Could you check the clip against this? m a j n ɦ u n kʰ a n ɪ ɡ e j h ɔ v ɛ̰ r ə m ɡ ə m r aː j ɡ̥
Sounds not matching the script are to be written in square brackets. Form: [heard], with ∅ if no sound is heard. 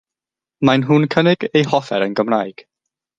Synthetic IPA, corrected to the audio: m a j n ɦ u n kʰ [ə] n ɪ ɡ e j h ɔ [f] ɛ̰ [ɾ] ə [n] ɡ ə m r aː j ɡ̥